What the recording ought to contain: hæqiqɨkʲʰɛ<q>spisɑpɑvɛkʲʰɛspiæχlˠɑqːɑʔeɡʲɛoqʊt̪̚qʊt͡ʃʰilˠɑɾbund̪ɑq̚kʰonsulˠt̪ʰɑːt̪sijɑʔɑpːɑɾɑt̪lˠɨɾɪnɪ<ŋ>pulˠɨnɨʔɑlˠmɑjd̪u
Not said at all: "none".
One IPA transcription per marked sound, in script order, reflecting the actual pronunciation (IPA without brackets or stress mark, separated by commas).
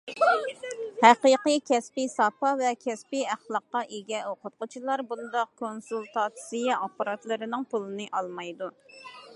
none, ŋ